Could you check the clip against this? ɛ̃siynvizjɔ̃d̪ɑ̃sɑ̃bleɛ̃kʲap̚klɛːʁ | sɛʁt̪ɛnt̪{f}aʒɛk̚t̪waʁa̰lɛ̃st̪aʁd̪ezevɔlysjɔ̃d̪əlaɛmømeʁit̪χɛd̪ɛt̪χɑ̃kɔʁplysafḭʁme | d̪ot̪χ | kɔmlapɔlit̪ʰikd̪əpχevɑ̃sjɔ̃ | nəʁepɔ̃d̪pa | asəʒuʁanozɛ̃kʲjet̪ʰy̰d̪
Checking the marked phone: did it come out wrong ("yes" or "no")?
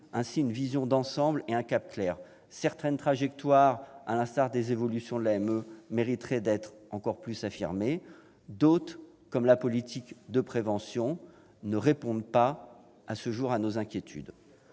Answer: yes